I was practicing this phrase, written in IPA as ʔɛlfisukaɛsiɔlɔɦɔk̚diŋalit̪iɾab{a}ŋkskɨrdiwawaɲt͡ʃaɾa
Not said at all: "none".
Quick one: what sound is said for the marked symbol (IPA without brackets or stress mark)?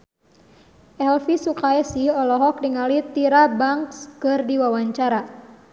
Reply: a